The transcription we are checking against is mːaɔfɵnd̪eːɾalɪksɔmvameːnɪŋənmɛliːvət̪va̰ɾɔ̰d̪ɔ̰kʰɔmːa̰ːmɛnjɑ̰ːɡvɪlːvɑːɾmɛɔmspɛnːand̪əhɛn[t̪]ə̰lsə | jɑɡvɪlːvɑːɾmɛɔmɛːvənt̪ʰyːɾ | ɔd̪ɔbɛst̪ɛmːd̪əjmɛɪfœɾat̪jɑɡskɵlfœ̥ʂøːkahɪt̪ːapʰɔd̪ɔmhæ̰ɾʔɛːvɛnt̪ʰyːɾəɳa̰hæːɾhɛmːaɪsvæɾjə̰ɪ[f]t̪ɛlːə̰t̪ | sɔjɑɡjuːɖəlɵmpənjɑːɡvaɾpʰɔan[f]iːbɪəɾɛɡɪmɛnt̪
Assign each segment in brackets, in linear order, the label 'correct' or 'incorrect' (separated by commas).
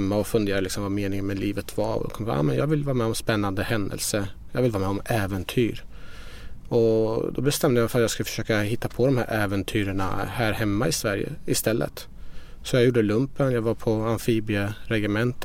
incorrect, incorrect, correct